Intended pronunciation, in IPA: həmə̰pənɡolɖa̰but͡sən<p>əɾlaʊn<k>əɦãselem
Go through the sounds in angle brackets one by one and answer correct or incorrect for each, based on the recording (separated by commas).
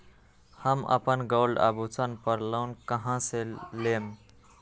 correct, correct